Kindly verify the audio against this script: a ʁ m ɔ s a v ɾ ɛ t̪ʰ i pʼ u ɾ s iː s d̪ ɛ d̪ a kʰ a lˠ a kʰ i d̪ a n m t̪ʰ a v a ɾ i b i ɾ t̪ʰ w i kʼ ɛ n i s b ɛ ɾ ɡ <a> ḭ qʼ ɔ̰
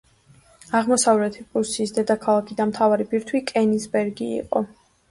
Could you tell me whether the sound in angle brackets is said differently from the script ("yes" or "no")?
yes